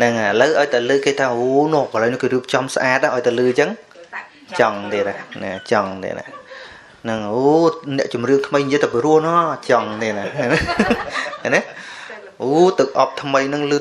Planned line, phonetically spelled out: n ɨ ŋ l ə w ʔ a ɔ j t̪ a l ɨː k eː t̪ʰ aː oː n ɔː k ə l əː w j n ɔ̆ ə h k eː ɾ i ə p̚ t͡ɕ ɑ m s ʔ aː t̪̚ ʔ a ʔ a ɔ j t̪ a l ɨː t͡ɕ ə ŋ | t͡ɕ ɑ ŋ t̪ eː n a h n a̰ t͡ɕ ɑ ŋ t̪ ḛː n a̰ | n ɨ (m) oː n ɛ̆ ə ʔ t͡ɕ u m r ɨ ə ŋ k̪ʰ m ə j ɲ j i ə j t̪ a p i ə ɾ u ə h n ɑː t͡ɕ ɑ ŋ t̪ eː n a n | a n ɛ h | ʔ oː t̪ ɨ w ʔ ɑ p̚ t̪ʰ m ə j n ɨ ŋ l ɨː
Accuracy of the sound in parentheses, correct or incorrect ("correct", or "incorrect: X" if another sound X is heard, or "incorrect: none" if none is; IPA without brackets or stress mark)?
incorrect: ŋ